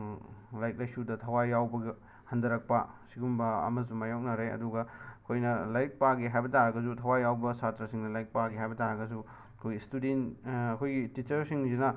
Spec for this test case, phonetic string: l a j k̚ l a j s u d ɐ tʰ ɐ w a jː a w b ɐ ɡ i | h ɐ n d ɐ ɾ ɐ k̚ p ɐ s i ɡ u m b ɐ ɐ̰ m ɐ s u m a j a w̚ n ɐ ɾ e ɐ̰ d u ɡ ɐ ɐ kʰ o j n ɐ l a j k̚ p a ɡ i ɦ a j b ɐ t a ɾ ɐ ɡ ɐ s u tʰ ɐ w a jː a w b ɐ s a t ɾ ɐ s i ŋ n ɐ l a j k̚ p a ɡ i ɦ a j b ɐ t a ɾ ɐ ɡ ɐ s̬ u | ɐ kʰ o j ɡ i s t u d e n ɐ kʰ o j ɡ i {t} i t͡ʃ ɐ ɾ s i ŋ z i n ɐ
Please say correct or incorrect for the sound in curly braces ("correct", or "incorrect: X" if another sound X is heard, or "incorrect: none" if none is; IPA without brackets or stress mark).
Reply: correct